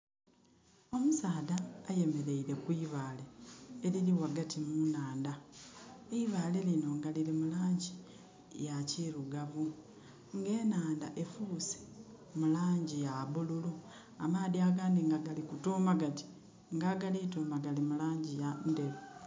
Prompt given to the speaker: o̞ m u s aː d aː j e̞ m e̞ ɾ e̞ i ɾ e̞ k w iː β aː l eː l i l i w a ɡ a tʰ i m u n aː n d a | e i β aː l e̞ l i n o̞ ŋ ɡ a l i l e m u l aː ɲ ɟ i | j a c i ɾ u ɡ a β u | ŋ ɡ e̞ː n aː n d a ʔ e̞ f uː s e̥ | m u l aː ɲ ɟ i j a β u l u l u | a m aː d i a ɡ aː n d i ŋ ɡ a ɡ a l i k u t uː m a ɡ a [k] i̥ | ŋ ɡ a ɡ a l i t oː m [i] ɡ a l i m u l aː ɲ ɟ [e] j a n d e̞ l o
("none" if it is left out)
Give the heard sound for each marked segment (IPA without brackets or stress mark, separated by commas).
t, a, i